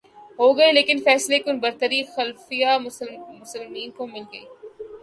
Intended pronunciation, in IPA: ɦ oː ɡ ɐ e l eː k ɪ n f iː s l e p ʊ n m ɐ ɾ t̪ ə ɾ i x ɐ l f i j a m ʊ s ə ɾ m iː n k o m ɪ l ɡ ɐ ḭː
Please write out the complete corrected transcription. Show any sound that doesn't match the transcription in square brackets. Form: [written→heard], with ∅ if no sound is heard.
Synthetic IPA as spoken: ɦ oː ɡ ɐ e l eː k ɪ n f [iː→ɛː] s l e [p→k] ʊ n [m→b] ɐ ɾ t̪ ə ɾ i x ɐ l f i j a m ʊ s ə [ɾ→l] m iː n k o m ɪ l ɡ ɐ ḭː